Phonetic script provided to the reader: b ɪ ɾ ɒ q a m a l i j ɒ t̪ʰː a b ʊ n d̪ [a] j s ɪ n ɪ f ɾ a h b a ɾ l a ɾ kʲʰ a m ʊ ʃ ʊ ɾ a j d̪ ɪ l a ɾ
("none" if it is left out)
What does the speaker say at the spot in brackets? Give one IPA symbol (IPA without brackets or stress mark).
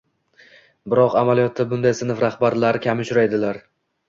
a